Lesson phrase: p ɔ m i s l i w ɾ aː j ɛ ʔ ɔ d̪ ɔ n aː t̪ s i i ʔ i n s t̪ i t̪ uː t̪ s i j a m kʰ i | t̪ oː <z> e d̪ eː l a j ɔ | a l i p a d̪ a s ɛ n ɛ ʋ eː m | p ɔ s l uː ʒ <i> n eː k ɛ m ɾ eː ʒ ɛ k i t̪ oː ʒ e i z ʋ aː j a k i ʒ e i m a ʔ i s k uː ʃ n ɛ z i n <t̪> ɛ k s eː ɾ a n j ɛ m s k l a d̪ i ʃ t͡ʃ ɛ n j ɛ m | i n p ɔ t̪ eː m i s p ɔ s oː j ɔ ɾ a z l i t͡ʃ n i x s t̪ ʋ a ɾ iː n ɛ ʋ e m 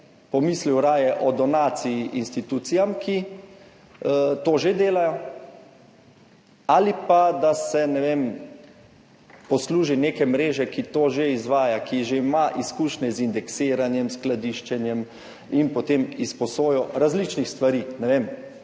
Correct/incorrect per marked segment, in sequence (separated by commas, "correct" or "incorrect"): incorrect, correct, incorrect